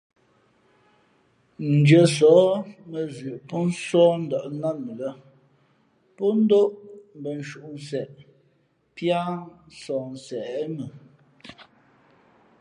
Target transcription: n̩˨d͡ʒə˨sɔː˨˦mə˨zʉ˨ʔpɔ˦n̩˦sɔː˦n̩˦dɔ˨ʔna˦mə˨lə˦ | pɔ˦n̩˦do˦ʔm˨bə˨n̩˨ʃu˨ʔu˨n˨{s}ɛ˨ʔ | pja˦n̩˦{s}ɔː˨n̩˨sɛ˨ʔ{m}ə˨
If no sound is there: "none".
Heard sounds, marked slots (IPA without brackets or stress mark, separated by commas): s, s, m